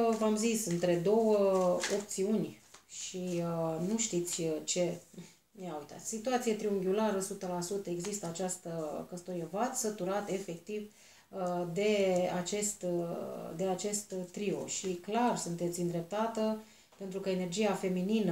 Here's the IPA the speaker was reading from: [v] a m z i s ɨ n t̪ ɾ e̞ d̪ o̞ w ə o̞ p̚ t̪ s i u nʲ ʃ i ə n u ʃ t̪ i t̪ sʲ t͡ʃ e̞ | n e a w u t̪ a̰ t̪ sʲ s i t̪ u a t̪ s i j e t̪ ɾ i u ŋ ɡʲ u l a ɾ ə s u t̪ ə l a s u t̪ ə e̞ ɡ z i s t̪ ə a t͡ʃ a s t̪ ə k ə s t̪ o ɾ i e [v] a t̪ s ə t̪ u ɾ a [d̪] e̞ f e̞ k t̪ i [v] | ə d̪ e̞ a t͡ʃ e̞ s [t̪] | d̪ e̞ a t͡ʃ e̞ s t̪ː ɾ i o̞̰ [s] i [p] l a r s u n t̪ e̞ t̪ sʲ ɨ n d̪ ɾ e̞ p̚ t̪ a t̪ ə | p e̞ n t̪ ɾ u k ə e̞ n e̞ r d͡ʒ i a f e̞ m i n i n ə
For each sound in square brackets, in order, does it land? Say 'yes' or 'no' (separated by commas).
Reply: yes, yes, no, yes, yes, no, no